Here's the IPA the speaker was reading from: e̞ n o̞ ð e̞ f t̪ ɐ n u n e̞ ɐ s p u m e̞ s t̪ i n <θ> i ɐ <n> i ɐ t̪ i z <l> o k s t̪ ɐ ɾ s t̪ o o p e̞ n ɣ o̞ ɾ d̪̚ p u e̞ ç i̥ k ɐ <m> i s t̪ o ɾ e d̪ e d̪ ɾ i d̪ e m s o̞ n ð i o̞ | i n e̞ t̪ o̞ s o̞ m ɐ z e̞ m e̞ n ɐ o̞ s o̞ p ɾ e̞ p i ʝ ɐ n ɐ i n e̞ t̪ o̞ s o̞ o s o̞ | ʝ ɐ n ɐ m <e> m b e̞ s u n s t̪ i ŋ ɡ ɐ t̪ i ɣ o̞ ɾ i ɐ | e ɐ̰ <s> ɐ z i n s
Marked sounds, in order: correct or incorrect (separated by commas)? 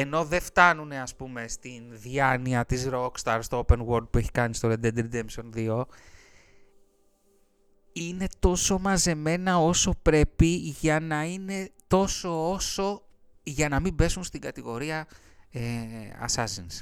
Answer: incorrect, correct, incorrect, incorrect, incorrect, correct